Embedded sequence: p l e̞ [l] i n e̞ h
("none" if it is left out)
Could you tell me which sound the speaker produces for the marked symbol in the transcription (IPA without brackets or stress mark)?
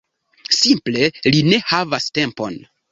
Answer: l